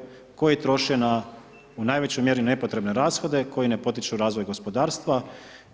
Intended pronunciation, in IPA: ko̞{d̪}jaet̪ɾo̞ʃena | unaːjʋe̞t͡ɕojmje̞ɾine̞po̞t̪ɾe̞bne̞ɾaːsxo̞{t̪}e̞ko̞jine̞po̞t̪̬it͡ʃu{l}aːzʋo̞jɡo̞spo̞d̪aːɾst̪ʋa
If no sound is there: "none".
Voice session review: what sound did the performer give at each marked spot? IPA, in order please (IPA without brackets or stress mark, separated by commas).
none, d̪, ɾ